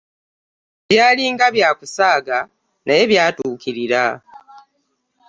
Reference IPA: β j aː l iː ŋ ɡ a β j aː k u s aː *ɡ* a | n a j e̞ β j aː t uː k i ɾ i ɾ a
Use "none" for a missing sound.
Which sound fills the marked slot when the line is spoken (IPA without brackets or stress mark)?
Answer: ɡ